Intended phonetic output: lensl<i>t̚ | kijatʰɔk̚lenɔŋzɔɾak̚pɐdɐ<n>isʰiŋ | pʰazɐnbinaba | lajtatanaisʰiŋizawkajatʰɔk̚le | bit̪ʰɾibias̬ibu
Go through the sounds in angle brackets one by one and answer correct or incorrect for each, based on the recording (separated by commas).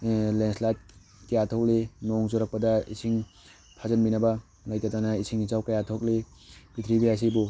incorrect, incorrect